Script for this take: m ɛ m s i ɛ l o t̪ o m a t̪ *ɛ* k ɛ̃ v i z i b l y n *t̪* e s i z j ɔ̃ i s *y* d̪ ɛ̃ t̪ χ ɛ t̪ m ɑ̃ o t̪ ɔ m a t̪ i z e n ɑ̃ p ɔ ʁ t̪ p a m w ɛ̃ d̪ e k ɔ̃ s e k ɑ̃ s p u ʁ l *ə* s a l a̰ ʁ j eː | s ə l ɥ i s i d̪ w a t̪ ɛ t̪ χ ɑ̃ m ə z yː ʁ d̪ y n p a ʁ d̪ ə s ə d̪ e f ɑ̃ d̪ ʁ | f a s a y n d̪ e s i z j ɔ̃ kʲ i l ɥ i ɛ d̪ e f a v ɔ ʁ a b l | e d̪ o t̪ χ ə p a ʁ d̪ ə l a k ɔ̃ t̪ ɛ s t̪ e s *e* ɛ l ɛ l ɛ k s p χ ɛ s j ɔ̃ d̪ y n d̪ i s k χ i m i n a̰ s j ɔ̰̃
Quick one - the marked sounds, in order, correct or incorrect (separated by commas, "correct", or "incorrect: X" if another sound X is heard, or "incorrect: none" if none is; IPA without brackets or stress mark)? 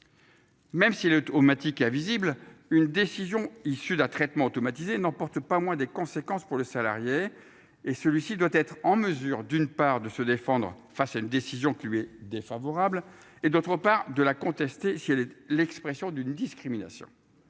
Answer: incorrect: i, incorrect: d̪, correct, correct, incorrect: i